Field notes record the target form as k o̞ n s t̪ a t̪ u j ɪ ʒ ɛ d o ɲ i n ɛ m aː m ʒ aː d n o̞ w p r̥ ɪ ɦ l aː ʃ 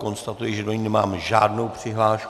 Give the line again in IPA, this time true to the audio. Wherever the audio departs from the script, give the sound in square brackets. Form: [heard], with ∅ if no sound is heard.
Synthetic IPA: k o̞ n s t̪ a t̪ u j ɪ ʒ ɛ d o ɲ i n ɛ m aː m ʒ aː d n o̞ w p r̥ ɪ ɦ l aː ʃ